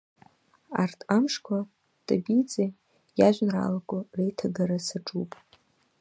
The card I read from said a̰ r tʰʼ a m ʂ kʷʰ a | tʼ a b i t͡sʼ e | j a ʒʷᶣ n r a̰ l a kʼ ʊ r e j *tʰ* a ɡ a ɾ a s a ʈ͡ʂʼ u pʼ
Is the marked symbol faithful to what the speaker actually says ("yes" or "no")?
yes